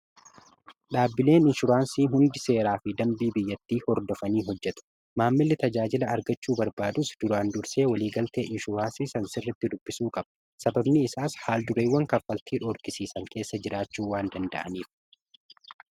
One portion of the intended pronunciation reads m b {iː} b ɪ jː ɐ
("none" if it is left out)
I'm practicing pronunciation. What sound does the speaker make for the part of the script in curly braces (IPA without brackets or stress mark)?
iː